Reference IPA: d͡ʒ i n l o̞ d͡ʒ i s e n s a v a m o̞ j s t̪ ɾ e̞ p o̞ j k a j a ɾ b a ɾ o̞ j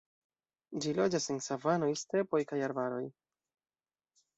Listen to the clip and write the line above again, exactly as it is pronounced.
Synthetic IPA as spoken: d͡ʒ i l o̞ d͡ʒ a s e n s a v a n o̞ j s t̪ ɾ e̞ p o̞ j k a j a ɾ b a ɾ o̞ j